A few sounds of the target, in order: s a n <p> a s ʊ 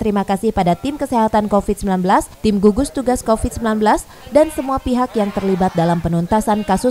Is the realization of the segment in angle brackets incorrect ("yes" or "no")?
yes